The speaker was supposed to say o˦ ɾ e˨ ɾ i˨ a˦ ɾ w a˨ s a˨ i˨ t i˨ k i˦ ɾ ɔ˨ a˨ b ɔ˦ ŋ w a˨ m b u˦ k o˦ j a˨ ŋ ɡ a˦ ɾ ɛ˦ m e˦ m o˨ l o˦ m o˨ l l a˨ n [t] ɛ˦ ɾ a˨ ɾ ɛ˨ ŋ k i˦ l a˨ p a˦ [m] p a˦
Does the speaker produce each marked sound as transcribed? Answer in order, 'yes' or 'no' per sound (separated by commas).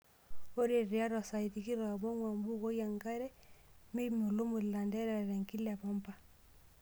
no, yes